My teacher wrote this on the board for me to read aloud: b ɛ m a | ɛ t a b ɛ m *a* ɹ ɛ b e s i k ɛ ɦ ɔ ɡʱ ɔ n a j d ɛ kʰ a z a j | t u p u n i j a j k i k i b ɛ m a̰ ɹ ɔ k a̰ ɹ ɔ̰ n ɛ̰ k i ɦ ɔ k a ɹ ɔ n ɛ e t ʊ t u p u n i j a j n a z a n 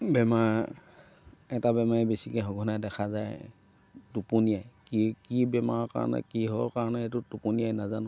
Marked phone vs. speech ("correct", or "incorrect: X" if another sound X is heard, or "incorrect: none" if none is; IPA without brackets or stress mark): correct